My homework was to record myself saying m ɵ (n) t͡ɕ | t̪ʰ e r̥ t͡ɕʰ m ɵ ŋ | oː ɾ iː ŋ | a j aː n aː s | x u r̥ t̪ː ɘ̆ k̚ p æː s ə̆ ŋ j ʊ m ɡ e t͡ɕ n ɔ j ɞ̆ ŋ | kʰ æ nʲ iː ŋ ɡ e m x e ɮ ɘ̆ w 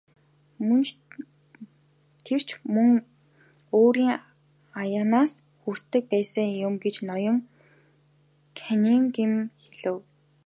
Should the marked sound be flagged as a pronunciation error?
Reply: no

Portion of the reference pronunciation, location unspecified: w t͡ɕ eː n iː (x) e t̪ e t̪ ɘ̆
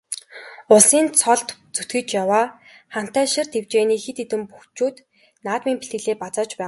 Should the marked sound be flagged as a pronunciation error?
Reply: no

